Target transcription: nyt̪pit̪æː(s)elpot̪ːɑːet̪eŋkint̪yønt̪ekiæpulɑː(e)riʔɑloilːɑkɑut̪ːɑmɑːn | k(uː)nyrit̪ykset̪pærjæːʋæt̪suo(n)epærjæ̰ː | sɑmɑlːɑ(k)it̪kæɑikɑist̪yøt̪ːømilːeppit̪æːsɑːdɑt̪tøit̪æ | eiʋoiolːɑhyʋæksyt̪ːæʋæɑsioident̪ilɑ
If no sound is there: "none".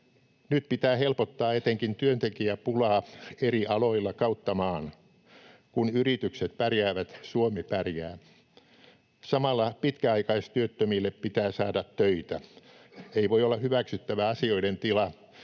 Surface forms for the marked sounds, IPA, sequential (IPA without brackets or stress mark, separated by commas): h, e, u, m, p